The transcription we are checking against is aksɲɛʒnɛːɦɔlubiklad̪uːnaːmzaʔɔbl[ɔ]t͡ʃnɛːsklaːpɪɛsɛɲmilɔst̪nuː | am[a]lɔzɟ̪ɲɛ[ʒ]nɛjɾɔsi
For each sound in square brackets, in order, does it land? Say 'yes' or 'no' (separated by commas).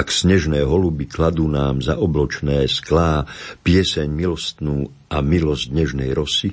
yes, no, yes